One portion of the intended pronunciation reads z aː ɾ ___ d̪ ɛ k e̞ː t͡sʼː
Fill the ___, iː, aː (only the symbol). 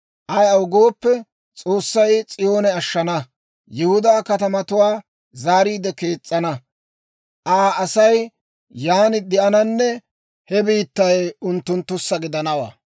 iː